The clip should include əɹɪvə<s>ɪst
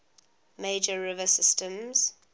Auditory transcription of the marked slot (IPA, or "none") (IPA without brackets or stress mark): s